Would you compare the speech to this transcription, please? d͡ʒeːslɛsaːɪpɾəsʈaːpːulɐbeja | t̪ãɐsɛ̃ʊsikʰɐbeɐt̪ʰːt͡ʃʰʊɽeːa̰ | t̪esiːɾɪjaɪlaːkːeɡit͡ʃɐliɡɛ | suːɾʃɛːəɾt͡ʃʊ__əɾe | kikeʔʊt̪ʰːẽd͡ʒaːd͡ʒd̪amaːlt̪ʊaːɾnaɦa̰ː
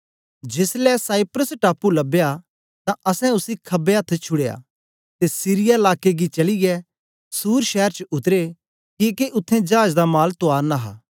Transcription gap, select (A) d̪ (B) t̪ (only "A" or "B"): B